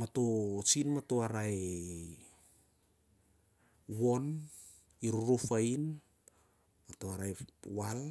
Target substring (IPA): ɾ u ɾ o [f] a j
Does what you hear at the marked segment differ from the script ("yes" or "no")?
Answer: no